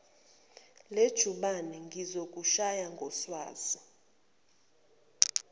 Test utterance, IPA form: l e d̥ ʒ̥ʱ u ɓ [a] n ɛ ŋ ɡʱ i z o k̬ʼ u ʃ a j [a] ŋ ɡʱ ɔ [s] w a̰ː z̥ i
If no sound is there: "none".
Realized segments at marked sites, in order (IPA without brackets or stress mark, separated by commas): a, a, s